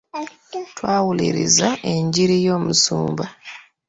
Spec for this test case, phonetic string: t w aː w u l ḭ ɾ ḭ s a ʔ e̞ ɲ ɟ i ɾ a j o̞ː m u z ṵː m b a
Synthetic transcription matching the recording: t w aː w u l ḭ ɾ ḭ z a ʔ e̞ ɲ ɟ i ɾ i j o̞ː m u s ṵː m b a

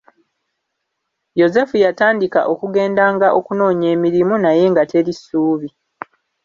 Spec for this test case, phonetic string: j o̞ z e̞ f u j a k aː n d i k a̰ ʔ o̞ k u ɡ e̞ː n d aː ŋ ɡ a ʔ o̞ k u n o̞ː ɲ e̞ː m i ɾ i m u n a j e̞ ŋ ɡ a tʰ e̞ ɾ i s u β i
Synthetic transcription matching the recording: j o̞ z e̞ f u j a t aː n d i k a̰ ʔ o̞ k u ɡ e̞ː n d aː ŋ ɡ a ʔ o̞ k u n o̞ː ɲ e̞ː m i ɾ i m u n a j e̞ ŋ ɡ a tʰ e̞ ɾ i s uː β i

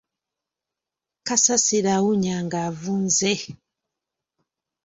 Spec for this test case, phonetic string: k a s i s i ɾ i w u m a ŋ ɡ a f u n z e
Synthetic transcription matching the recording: k a s a s i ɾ a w u ɲ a ŋ ɡ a v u n z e

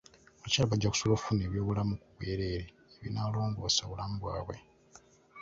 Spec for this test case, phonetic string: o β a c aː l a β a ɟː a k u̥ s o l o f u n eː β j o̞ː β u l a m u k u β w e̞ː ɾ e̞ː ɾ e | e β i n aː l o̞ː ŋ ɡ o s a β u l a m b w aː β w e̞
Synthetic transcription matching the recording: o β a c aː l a β a ɟː a k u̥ s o l o f u n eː β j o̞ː β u l a m u k u β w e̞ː ɾ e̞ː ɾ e | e β i n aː l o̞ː ŋ ɡ o s a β u l a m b w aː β w e̞

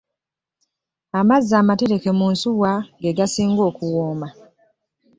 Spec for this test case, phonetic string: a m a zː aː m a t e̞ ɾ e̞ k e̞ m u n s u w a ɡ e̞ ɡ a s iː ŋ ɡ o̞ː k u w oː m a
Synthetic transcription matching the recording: a m a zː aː m a t e̞ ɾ e̞ k e̞ m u n s u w a ɡ e̞ ɡ a s iː ŋ ɡ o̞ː k u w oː m a

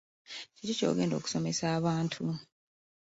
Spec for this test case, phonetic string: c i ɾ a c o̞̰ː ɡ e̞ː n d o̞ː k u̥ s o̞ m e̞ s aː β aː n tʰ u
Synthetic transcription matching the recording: c i ɾ i c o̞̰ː ɡ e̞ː n d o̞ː k u̥ s o̞ m e̞ s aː β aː n tʰ u

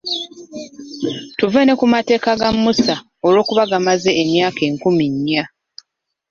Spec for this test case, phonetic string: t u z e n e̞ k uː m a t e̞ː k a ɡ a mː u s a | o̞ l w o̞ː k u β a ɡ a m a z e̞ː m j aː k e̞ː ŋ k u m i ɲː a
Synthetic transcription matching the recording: t u v e n e̞ k u m a t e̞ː k a ɡ a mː u s a | o̞ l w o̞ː k u β a ɡ a m a z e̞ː m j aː k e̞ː ŋ k u m i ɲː a

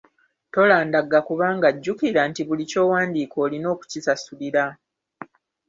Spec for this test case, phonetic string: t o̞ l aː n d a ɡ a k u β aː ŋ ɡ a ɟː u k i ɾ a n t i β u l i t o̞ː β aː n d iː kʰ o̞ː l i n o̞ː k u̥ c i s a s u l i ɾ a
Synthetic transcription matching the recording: t o̞ l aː n d a ɡ a k u β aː ŋ ɡ a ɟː u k i ɾ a n t i β u l i c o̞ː w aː n d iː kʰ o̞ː l i n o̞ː k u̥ c i s a s u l i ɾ a

